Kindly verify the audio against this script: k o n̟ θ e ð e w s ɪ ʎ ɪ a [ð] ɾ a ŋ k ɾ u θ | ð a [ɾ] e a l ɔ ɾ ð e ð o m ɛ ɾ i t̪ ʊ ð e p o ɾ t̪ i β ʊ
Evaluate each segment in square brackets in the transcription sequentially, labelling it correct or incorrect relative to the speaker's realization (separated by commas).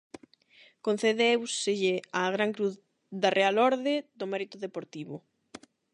incorrect, incorrect